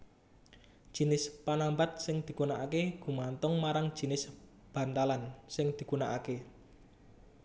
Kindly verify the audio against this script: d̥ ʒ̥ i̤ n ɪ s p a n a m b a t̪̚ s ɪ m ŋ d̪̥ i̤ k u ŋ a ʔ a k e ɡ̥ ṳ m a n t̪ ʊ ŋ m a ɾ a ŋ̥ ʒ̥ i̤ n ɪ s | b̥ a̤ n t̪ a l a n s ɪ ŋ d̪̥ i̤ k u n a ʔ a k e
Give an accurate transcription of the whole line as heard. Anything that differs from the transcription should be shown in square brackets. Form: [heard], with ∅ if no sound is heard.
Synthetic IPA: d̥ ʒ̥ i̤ n ɪ s p a n a m b a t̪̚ s ɪ [∅] ŋ d̪̥ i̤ k u [n] a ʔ a k e ɡ̥ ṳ m a n t̪ ʊ ŋ m a ɾ a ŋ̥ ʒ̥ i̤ n ɪ s | b̥ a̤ n t̪ a l a n s ɪ ŋ d̪̥ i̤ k u n a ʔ a k e